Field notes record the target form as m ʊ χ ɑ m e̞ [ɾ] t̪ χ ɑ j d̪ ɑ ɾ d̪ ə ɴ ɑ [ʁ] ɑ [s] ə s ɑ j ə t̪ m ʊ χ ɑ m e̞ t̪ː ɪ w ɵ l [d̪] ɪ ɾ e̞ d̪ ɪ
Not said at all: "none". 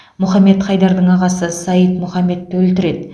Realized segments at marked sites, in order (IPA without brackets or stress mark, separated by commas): none, ʁ, s, t̪